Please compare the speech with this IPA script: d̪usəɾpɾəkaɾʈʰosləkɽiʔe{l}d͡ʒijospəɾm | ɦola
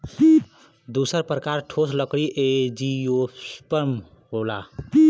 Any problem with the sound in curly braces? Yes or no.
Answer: yes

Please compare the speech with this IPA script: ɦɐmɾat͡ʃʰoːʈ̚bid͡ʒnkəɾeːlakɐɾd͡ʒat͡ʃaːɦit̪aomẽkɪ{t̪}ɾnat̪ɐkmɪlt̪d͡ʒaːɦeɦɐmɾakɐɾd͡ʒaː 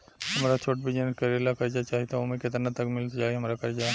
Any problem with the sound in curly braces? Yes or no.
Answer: no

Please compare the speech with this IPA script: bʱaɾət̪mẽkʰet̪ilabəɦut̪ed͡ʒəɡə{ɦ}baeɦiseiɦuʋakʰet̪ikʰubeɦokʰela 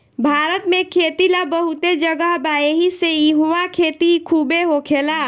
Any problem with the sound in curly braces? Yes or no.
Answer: no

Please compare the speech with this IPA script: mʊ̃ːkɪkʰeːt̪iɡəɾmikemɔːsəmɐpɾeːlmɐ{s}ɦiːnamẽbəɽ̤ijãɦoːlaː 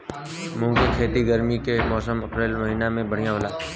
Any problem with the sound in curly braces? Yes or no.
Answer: yes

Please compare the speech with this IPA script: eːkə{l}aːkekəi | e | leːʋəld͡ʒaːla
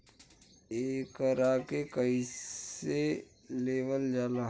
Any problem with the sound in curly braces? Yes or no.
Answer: yes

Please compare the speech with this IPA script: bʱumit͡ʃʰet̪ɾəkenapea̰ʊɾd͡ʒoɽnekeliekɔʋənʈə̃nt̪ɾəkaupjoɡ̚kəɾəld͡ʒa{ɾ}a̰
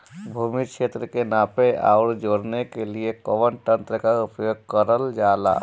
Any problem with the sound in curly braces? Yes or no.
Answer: yes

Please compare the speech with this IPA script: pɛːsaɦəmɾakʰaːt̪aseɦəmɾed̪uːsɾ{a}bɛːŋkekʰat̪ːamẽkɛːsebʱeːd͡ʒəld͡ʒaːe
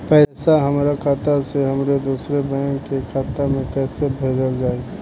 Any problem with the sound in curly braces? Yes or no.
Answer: yes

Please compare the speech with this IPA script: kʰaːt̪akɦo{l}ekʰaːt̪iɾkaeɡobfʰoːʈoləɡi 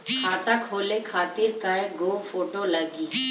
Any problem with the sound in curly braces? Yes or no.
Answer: no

